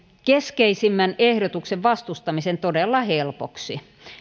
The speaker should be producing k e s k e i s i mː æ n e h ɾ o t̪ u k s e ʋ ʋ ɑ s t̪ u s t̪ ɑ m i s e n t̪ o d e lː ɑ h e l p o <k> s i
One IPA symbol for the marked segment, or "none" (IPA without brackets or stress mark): k